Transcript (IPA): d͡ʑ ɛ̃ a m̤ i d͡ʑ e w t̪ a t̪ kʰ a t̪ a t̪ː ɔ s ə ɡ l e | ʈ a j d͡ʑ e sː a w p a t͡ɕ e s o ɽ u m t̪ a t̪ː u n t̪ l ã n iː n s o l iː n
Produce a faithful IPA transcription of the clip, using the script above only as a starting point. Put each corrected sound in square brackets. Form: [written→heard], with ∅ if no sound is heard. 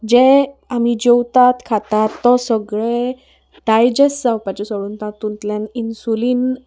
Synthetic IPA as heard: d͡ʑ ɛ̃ a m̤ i d͡ʑ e w t̪ a t̪ kʰ a t̪ a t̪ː ɔ s ə ɡ [l→ɭ] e | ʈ a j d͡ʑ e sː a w p a t͡ɕ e s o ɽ u [m→n] t̪ a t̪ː u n t̪ l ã n [iː→i] n s [o→u] l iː n